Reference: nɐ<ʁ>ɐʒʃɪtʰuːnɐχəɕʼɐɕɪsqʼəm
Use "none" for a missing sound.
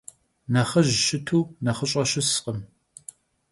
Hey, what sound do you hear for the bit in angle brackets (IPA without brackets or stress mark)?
χ